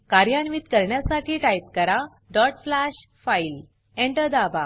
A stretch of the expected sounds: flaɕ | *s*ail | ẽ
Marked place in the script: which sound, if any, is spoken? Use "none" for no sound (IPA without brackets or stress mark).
f